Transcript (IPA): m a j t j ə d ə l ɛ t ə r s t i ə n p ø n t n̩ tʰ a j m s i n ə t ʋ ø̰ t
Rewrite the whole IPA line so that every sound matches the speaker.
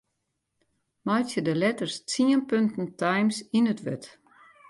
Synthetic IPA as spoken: m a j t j ə d ə l ɛ t ə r s t͡s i ə n p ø n t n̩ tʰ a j m s i n ə t ʋ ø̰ t